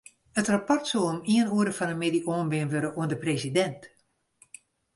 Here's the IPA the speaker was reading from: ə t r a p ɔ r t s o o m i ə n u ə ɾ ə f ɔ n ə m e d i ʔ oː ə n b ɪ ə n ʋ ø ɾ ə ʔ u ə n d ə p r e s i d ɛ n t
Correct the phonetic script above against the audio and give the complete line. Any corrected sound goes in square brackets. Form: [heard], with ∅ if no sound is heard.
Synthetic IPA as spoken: ə t r a p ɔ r t s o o m i ə n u ə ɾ ə f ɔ n ə m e d i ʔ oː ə n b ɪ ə n ʋ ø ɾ ə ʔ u ə n d ə p r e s i d ɛ n t